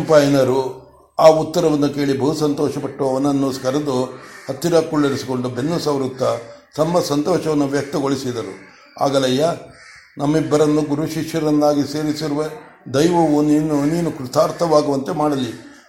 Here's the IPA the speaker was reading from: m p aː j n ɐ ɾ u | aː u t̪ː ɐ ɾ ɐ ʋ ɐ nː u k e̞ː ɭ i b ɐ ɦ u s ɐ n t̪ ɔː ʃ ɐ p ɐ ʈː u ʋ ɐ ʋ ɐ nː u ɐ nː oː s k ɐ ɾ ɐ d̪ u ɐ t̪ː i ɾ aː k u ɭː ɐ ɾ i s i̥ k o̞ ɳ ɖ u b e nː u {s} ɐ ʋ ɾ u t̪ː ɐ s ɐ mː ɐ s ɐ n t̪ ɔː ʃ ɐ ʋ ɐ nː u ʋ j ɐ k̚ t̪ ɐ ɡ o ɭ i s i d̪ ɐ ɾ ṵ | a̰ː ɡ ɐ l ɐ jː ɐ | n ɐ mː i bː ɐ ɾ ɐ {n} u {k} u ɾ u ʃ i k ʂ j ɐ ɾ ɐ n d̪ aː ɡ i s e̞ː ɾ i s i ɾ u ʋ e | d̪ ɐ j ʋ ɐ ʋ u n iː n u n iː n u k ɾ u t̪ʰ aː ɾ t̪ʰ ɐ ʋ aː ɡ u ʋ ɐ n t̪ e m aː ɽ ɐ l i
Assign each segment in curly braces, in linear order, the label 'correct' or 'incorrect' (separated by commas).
correct, incorrect, incorrect